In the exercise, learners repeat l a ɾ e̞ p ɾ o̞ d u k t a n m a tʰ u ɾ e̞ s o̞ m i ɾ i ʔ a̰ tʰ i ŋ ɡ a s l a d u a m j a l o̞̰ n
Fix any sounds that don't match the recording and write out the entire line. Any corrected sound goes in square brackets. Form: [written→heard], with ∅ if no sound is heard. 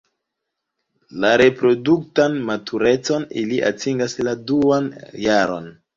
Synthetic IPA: l a ɾ e̞ p ɾ o̞ d u k t a n m a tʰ u ɾ e̞ [s→t͡s] o̞ [m→n] i [ɾ→l] i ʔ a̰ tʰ i ŋ ɡ a s l a d u a [m→n] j a [l→ɾ] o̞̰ n